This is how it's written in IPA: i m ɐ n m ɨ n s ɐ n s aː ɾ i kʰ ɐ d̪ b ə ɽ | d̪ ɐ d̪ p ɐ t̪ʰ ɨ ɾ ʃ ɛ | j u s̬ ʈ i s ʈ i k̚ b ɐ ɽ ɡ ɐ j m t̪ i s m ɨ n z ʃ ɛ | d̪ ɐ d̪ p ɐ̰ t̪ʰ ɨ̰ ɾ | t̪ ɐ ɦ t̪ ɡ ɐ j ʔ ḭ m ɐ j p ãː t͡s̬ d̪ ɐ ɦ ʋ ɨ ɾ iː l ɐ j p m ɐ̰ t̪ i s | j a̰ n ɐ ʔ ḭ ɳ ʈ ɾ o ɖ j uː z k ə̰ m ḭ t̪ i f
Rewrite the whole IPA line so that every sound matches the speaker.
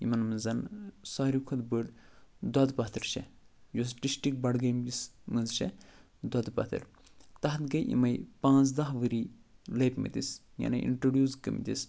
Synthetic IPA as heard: i m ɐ n m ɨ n z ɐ n s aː ɾ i kʰ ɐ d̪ b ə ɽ | d̪ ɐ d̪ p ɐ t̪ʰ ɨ ɾ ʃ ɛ | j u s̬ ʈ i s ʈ i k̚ b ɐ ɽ ɡ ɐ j m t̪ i s m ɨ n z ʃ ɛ | d̪ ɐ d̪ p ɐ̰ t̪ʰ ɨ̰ ɾ | t̪ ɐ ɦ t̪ ɡ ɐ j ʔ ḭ m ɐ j p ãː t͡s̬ d̪ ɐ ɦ ʋ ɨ ɾ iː l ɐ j p m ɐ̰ t̪ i s | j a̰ n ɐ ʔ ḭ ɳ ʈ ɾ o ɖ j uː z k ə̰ m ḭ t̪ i s